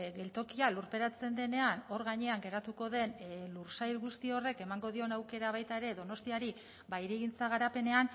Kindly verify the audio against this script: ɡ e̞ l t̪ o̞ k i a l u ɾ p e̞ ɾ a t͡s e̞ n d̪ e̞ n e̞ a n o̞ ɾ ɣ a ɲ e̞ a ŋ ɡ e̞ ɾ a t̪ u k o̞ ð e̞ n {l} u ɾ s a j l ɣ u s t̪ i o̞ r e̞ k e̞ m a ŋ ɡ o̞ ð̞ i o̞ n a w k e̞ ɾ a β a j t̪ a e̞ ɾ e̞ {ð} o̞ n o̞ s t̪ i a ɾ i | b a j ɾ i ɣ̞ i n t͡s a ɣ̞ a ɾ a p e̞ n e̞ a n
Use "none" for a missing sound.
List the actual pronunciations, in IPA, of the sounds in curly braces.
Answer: l, ð

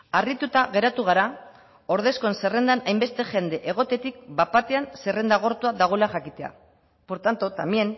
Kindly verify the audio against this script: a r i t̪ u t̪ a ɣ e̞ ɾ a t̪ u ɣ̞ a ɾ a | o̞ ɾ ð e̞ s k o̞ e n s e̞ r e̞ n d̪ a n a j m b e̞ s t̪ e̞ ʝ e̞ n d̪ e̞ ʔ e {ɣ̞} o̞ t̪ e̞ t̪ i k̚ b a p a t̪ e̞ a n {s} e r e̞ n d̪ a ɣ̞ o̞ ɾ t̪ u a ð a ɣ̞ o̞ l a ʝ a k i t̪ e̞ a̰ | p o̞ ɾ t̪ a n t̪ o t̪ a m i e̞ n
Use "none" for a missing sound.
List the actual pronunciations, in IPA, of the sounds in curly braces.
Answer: ɣ̞, s

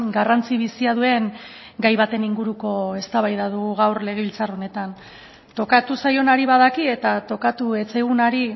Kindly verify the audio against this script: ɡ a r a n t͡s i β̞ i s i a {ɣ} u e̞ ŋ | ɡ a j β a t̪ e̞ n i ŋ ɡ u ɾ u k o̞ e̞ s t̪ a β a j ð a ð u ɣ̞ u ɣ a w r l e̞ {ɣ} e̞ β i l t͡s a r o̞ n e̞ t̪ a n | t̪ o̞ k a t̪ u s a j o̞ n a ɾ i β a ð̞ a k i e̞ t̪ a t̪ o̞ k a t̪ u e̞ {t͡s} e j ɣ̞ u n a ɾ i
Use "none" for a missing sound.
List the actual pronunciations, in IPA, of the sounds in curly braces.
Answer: ð, ɣ, t͡s

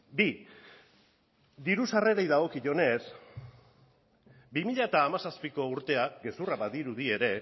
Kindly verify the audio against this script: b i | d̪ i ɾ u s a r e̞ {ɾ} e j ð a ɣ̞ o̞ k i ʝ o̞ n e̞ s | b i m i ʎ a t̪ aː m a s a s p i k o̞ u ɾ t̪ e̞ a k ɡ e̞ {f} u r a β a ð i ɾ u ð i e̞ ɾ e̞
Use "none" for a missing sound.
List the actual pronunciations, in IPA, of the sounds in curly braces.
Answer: ɾ, s

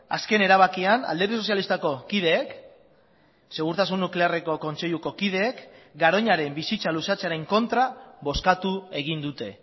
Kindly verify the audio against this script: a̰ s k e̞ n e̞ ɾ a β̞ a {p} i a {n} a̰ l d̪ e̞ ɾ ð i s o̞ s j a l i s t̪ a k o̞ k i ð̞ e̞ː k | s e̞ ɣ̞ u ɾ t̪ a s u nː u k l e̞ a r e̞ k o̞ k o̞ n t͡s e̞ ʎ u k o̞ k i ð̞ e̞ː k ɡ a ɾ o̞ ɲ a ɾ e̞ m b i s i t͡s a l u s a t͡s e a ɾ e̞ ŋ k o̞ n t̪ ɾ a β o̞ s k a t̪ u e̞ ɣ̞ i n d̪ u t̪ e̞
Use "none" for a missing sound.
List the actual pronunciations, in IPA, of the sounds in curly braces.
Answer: k, n

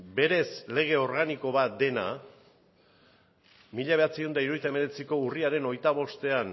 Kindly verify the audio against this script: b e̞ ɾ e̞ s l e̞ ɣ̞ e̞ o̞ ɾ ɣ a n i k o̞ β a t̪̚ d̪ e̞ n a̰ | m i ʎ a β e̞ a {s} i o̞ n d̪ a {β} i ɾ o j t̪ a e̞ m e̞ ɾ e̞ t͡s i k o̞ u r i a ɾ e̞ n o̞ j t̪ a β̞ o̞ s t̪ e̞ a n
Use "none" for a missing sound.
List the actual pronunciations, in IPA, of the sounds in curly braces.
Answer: t͡s, none

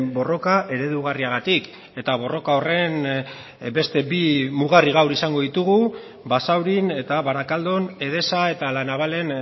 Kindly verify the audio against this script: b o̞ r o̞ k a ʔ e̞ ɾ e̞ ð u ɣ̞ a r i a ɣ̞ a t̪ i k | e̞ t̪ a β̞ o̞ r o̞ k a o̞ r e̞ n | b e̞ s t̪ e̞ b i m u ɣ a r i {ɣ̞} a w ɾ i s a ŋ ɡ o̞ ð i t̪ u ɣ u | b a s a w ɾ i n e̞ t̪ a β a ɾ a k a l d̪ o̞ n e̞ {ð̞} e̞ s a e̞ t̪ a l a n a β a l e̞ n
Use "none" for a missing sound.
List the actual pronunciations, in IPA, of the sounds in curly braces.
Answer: ɣ̞, ð̞

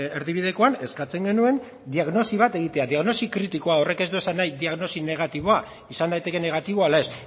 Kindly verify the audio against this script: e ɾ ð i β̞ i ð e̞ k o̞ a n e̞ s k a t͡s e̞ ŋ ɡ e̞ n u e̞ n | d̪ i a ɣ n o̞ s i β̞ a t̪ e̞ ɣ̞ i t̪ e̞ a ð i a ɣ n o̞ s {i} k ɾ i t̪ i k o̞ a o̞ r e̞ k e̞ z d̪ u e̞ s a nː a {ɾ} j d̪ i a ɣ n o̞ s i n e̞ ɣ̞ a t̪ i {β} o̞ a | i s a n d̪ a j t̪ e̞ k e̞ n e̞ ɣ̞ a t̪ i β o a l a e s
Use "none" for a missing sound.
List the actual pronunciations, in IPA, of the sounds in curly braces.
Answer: i, none, β

